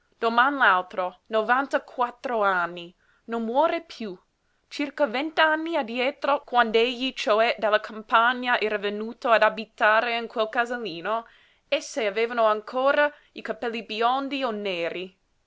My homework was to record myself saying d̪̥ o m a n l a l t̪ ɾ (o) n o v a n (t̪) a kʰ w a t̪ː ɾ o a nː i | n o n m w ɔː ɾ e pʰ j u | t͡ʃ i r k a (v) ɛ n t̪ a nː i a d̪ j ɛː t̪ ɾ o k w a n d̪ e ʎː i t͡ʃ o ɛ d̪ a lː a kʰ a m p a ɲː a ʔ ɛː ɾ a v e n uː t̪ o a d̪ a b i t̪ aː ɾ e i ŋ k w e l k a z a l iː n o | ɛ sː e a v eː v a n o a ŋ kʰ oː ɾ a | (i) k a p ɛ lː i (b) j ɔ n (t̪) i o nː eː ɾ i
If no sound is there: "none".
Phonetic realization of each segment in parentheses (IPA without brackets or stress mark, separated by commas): o, t̪, v, i, b, d̪